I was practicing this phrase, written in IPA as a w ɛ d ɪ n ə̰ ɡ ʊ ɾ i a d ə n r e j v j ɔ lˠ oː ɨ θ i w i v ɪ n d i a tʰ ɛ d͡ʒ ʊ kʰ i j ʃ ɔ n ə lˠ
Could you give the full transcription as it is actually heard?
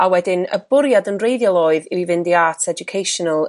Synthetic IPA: a w ɛ d ɪ n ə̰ b ʊ ɾ j a d ə n r e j ð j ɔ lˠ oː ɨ ð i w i v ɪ n d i a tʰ ɛ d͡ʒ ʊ kʰ e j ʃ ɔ n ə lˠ